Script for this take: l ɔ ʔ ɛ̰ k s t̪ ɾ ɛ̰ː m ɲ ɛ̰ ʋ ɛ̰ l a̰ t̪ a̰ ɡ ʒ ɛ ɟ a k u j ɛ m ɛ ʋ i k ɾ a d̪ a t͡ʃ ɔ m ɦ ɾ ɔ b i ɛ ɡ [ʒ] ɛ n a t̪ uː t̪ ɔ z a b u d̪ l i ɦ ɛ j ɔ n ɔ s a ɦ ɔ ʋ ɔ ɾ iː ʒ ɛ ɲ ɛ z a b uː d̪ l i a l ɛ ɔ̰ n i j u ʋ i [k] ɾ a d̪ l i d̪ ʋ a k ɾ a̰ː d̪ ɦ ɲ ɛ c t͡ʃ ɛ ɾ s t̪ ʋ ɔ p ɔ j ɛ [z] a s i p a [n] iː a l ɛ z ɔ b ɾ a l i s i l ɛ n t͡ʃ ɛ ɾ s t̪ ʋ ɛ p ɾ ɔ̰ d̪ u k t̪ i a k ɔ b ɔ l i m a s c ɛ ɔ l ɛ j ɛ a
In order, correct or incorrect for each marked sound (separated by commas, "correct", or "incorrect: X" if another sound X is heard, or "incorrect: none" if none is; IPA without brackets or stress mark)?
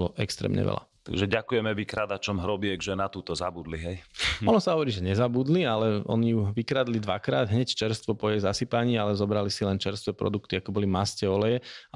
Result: correct, correct, correct, incorrect: ɲ